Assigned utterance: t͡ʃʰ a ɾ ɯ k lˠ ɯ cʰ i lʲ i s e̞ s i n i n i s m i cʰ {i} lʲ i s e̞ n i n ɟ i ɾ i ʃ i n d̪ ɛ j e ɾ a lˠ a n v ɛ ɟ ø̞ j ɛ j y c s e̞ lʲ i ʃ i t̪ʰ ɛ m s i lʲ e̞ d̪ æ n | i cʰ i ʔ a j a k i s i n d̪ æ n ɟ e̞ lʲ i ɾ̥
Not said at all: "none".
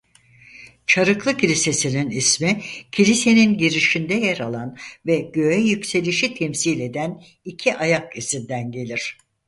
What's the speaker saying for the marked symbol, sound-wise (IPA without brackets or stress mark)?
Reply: i